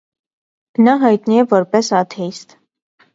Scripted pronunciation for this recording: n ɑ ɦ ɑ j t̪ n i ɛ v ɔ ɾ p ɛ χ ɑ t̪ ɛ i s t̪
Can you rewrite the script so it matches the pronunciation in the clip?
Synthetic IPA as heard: n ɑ ɦ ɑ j t̪ n i ɛ v ɔ ɾ p ɛ s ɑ t̪ʰ ɛ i s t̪

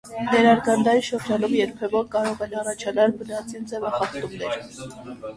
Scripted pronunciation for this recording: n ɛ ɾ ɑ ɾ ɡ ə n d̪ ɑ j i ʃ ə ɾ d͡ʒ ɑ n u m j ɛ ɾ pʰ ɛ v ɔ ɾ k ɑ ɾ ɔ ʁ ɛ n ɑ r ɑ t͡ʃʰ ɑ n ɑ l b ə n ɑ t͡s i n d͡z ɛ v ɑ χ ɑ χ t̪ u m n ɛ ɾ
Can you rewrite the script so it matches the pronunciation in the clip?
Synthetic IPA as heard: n ɛ ɾ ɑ ɾ ɡ ɑ n d̪ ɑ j i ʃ ə ɾ d͡ʒ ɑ n u m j ɛ ɾ pʰ ɛ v ɔ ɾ k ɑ ɾ ɔ ʁ ɛ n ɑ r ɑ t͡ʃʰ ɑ n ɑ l b ə n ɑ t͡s i n d͡z ɛ v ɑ χ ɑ χ t̪ u m n ɛ ɾ

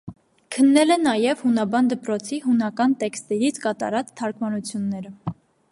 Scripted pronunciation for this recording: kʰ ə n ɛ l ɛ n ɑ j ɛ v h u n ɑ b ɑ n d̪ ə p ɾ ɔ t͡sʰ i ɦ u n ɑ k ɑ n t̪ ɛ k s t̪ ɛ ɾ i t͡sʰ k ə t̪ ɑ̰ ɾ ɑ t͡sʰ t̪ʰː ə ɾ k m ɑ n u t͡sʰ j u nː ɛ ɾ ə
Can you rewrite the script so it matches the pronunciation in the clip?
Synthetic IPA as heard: kʰ ə nː ɛ l ɛ n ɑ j ɛ v h u n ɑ b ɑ n d̪ ə p ɾ ɔ t͡sʰ i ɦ u n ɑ k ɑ n t̪ ɛ k s t̪ ɛ ɾ i t͡sʰ k ɑ t̪ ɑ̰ ɾ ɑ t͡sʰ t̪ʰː ɑ ɾ k m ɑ n u t͡sʰ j u nː ɛ ɾ ə

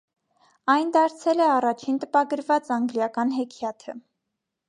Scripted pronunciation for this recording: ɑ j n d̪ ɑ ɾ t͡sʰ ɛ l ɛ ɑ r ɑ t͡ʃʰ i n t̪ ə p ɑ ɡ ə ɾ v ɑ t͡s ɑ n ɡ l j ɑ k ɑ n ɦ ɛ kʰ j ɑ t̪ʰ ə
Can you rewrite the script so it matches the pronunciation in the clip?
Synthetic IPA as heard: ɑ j n d̪ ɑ ɾ t͡sʰ ɛ l ɛ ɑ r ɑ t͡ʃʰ i n t̪ ə p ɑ ɡ ə ɾ v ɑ t͡s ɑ ŋ ɡ l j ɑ k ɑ n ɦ ɛ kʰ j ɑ t̪ʰ ə

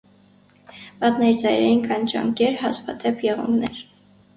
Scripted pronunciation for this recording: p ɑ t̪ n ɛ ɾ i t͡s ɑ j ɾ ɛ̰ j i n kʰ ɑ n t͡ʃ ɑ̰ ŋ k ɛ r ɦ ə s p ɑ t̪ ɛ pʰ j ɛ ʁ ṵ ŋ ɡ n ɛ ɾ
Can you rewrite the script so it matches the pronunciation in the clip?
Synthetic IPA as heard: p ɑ t̪ n ɛ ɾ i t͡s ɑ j ɾ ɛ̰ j i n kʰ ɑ n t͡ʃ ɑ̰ ŋ k ɛ ɾ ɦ ɑ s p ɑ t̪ ɛ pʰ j ɛ ʁ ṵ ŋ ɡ n ɛ ɾ

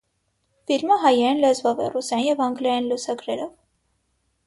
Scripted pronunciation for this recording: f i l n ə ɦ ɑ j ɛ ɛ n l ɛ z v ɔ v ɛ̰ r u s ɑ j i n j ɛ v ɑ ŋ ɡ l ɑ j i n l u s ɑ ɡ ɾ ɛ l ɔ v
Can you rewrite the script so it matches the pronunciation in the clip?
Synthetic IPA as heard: f i l m ə ɦ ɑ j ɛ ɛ n l ɛ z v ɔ v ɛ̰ r u s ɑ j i n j ɛ v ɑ ŋ ɡ l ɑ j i n l u s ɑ ɡ ɾ ɛ ɾ ɔ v

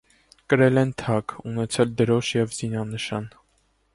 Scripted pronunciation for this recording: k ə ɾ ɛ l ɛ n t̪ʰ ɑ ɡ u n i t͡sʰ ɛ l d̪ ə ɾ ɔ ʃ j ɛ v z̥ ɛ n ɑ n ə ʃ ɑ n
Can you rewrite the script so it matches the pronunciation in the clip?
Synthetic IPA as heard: k ə ɾ ɛ l ɛ n t̪ʰ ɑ k u n ɛ t͡sʰ ɛ l d̪ ə ɾ ɔ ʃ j ɛ v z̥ i n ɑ n ə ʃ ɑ n

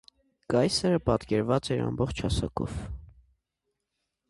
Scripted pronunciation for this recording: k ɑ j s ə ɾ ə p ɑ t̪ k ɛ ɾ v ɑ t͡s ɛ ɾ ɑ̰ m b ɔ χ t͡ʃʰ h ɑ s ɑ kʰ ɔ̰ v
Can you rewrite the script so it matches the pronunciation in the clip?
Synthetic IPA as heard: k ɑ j s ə ɾ ə p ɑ t̪ k ɛ ɾ v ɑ t͡s ɛ ɾ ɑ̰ m b ɔ χ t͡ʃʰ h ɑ s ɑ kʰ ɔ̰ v

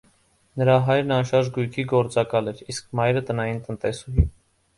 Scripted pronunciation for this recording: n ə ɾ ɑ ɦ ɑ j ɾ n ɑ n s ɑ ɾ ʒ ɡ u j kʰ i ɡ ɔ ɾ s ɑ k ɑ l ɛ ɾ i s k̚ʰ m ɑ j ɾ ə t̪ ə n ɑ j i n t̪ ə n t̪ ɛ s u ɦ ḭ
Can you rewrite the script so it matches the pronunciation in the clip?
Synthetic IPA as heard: n ə ɾ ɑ ɦ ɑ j ɾ n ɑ n ʃ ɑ ɾ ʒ ɡ u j kʰ i ɡ ɔ ɾ t͡s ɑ k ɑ l ɛ ɾ i s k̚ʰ m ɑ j ɾ ə t̪ ə n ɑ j i n t̪ ə n t̪ ɛ s u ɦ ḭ

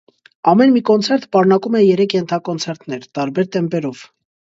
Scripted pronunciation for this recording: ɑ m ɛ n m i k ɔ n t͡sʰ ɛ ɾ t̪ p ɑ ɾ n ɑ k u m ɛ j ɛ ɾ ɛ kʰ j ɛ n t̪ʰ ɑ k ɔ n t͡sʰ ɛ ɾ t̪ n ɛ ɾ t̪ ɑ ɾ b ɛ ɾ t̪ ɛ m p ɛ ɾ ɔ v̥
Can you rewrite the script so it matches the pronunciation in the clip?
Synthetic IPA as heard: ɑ m ɛ n m i k ɔ n t͡sʰ ɛ ɾ t̪ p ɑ ɾ n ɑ k u m ɛ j ɛ ɾ ɛ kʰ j ɛ n t̪ʰ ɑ k ɔ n t͡sʰ ɛ ɾ t̪ n ɛ ɾ t̪ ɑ ɾ b ɛ ɾ t̪ ɛ m p ɛ ɾ ɔ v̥

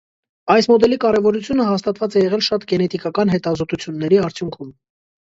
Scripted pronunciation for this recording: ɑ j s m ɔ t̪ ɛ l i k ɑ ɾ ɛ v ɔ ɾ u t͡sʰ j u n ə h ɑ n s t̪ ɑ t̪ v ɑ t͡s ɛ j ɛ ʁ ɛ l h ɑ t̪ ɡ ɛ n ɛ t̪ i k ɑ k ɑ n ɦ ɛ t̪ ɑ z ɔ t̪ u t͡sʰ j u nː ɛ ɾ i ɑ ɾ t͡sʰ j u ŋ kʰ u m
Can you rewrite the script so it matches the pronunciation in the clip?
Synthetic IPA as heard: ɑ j s m ɔ d̪ ɛ l i k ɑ ɾ ɛ v ɔ ɾ u t͡sʰ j u n ə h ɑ s t̪ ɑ t̪ v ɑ t͡s ɛ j ɛ ʁ ɛ l ʃ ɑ t̪ ɡ ɛ n ɛ t̪ i k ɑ k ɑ n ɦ ɛ t̪ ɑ z ɔ t̪ u t͡sʰ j u nː ɛ ɾ i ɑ ɾ t͡sʰ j u ŋ kʰ u m

